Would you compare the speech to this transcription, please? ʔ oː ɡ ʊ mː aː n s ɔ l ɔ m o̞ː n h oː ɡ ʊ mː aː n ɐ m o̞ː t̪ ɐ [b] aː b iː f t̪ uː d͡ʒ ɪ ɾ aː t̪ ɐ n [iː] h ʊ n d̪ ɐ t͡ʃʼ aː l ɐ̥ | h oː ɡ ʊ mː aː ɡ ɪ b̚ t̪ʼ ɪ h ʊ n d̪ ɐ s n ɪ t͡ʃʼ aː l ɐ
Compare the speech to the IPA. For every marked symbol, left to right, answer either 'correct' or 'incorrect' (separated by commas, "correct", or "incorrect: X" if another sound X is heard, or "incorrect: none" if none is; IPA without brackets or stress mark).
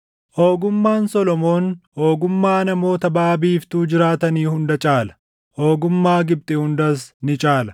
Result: correct, correct